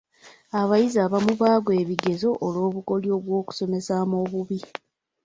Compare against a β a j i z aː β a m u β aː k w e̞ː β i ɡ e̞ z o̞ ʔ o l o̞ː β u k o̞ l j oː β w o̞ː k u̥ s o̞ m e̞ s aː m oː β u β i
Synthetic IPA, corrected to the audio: a β a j i z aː β a m u β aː ɡ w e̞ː β i ɡ e̞ z o̞ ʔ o l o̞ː β u k o̞ l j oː β w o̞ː k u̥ s o̞ m e̞ s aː m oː β u β i